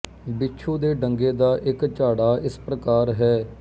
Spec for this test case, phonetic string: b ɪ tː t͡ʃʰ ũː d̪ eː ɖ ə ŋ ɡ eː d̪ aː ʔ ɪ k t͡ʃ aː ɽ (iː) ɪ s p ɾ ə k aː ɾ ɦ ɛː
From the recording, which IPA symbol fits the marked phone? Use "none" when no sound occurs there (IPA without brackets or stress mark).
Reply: aː